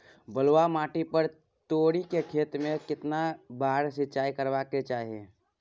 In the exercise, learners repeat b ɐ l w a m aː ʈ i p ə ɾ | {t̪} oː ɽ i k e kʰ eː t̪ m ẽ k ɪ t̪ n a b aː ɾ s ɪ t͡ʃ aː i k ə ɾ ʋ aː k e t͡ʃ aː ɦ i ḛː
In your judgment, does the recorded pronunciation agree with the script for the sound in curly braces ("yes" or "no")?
yes